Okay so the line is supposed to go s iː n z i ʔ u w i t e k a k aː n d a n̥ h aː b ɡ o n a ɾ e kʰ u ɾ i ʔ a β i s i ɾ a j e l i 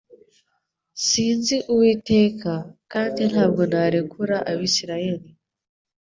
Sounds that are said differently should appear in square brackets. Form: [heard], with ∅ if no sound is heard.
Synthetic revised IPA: s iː n z i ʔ u w i t e k a k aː n d [i] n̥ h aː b ɡ o n a ɾ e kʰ u ɾ [a] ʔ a β i s i ɾ a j e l i